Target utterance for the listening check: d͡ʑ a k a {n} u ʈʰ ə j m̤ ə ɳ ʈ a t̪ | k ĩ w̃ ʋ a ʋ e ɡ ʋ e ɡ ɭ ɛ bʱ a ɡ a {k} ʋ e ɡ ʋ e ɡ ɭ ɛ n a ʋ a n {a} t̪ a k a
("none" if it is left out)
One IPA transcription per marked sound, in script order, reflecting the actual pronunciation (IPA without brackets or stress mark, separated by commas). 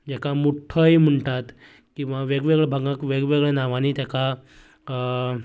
m, k, i